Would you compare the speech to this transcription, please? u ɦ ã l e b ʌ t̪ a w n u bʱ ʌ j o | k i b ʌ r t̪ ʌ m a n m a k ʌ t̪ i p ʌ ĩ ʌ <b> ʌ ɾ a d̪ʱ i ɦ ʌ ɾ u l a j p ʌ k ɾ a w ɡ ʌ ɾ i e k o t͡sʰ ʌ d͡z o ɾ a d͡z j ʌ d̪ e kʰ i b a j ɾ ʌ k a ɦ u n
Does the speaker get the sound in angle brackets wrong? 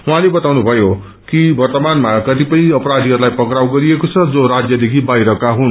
yes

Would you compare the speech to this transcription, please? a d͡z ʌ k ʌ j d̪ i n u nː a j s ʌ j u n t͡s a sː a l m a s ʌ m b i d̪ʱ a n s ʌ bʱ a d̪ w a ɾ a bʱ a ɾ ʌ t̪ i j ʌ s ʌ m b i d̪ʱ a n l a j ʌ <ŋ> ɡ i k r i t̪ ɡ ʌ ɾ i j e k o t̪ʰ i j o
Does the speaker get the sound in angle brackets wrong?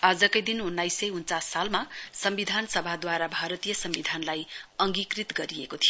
no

